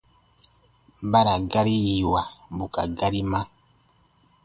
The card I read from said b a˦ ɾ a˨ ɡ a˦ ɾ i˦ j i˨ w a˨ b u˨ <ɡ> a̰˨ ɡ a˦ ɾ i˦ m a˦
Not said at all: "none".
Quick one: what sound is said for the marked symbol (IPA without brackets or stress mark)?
k